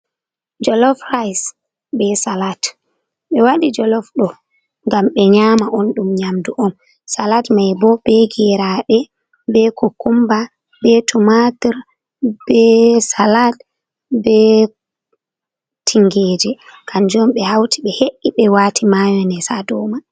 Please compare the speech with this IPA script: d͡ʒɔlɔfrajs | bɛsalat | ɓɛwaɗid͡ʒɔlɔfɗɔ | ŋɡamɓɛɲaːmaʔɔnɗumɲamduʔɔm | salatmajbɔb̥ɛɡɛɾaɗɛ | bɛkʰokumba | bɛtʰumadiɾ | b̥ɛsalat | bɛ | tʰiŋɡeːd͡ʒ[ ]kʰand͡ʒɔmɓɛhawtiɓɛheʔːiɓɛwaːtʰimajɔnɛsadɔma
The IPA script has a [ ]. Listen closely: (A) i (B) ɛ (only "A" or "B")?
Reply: B